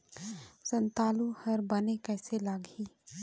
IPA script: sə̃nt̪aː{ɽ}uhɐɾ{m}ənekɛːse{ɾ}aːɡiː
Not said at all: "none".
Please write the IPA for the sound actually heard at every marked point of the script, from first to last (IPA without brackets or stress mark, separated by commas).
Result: l, b, l